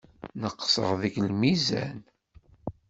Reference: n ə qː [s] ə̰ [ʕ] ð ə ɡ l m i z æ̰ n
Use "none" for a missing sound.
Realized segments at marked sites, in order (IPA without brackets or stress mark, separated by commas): s, ʁ